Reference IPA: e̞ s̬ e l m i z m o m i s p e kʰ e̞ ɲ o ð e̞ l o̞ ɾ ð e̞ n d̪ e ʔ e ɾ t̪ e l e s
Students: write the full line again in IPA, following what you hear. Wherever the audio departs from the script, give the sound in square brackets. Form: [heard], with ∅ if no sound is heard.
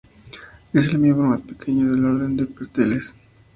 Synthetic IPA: e̞ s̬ e l m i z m o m [a] s p e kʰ e̞ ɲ o ð e̞ l o̞ ɾ ð e̞ n d̪ e [p] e ɾ t̪ e l e s